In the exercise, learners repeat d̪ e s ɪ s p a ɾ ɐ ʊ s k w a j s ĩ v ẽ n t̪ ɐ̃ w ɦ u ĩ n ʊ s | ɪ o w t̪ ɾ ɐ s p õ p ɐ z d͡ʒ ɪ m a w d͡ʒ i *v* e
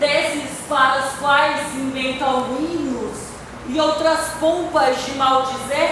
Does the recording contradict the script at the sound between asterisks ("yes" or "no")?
yes